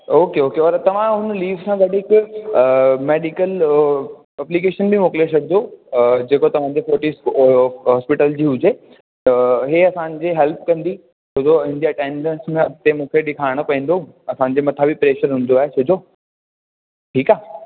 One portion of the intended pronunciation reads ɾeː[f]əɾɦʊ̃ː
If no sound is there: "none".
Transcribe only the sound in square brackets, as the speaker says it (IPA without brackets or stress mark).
ʃ